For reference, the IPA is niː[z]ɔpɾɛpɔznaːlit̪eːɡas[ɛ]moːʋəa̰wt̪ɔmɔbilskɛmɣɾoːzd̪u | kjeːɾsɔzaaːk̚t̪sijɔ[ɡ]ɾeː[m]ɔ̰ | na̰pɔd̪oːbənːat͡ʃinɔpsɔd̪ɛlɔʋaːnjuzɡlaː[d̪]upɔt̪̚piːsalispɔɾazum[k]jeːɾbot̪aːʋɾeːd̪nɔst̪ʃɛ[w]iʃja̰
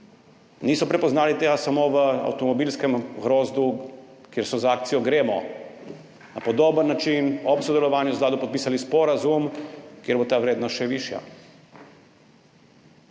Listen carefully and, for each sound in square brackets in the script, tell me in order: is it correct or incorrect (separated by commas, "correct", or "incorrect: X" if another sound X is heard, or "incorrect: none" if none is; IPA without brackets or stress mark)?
incorrect: s, incorrect: a, correct, correct, correct, correct, incorrect: ʋ